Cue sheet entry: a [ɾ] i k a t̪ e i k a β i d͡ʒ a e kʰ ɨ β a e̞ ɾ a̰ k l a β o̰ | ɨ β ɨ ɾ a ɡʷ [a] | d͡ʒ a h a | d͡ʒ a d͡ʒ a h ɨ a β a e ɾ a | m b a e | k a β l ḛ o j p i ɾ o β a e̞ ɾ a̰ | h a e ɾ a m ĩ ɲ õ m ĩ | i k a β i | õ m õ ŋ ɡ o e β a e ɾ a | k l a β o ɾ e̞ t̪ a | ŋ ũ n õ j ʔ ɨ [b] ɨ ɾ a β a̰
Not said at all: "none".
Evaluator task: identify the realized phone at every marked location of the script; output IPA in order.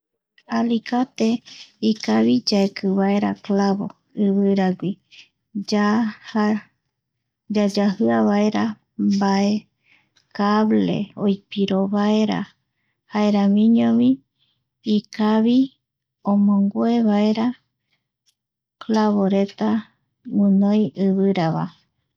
l, i, β

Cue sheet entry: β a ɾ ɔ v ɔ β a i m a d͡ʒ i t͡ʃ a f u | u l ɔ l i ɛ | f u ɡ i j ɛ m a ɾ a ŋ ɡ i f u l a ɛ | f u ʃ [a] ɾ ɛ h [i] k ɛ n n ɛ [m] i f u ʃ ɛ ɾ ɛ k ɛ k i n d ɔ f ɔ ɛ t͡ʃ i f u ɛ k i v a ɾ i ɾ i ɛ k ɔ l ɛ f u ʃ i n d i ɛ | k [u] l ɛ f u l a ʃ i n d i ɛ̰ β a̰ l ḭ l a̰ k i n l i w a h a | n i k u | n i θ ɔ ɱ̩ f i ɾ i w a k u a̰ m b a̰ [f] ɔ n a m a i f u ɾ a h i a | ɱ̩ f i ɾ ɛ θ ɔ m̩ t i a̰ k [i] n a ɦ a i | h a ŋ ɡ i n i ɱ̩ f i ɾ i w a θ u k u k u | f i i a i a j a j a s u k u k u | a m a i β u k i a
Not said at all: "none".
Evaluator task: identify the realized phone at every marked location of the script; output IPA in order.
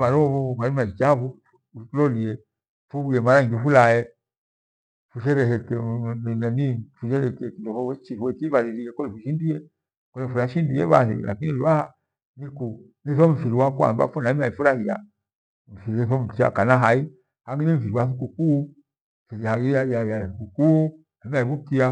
ɛ, ɛ, n, ɔ, f, a

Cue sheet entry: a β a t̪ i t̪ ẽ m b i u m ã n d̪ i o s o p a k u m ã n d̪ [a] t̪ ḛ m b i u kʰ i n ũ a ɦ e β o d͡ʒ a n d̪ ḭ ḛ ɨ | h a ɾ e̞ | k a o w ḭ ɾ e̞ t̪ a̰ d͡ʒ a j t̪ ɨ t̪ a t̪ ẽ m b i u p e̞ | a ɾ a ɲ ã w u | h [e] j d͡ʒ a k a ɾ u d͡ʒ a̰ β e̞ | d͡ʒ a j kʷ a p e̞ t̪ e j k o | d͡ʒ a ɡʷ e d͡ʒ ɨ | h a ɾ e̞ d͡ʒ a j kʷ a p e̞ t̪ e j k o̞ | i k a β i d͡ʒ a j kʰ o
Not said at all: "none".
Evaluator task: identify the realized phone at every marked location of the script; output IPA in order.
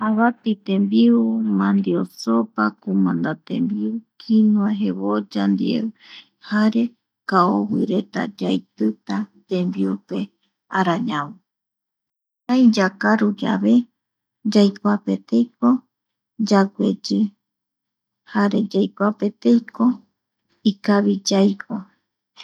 a, a

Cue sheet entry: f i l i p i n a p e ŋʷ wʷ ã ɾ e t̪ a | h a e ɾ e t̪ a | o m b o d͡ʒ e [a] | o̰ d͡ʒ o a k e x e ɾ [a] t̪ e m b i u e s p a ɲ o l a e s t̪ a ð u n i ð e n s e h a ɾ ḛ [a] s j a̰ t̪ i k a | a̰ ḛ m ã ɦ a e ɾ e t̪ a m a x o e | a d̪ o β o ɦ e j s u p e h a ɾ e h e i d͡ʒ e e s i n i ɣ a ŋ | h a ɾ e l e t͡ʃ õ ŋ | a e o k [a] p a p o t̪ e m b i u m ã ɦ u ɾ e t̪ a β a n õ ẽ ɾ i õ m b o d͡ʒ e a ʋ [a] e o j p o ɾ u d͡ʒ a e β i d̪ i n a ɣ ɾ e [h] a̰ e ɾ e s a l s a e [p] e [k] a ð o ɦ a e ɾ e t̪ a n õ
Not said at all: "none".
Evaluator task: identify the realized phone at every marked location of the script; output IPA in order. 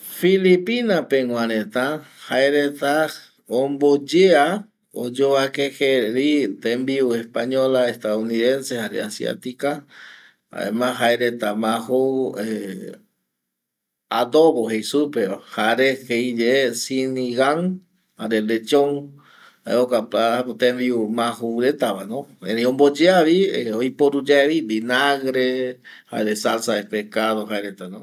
a, i, a, a, i, h, p, k

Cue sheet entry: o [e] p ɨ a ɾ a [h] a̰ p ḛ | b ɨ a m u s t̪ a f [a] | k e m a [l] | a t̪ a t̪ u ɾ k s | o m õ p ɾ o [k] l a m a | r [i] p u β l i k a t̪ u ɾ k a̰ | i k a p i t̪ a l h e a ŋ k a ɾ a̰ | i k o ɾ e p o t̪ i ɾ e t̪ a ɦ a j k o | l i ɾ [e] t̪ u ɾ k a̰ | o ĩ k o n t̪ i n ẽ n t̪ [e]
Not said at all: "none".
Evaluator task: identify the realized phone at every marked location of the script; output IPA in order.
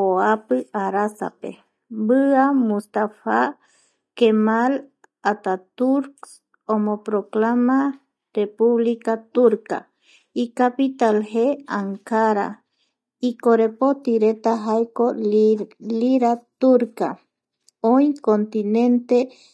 a, s, a, l, k, e, a, e

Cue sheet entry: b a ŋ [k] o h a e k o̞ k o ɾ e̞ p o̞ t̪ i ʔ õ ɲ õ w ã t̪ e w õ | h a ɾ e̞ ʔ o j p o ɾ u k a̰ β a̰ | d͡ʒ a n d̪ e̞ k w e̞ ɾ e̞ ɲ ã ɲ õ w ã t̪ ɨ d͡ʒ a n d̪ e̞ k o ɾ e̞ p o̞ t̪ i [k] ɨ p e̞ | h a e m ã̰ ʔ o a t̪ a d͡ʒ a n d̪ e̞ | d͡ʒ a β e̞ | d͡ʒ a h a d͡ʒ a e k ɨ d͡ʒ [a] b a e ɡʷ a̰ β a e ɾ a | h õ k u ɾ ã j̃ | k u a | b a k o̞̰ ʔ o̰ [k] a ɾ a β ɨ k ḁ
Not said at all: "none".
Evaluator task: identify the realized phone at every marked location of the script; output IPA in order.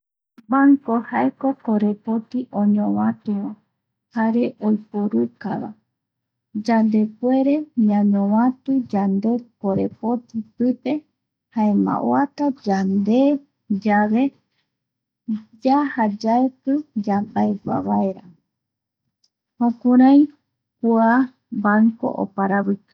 k, p, a, p

